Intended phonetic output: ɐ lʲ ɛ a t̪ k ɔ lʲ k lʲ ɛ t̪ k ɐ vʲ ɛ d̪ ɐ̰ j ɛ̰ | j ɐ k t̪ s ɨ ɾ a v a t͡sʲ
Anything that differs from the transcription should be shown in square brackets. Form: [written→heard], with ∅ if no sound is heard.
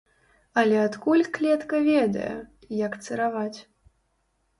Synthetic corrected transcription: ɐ lʲ ɛ a t̪ k [ɔ→u] lʲ k lʲ ɛ t̪ k ɐ vʲ ɛ d̪ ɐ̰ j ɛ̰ | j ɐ k t̪ s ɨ ɾ a v a t͡sʲ